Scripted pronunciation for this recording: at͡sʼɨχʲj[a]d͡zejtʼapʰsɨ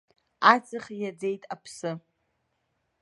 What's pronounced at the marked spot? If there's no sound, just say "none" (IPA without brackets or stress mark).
a